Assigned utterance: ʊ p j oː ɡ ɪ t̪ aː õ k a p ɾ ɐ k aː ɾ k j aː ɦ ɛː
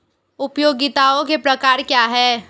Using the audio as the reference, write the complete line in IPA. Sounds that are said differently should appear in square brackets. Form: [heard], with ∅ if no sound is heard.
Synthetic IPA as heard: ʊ p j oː ɡ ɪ t̪ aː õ k [e] p ɾ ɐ k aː ɾ k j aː ɦ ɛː